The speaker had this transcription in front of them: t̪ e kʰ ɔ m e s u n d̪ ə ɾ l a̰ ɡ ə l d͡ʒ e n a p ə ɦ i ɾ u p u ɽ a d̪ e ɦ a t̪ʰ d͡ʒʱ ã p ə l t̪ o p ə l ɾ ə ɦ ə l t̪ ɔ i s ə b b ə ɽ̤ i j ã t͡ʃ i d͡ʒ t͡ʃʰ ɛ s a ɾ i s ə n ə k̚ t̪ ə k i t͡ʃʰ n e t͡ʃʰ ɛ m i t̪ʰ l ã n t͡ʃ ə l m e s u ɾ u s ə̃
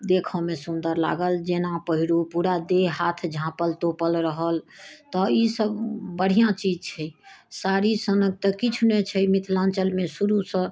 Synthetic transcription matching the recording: d̪ e kʰ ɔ m e s u n d̪ ə ɾ l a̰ ɡ ə l d͡ʒ e n a p ə ɦ i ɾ u p u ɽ a d̪ e ɦ a t̪ʰ d͡ʒʱ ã p ə l t̪ o p ə l ɾ ə ɦ ə l t̪ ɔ i s ə b b ə ɽ̤ i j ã t͡ʃ i d͡ʒ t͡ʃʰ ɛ s a ɾ i s ə n ə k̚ t̪ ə k i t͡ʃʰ n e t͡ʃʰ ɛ m i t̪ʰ l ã n t͡ʃ ə l m e s u ɾ u s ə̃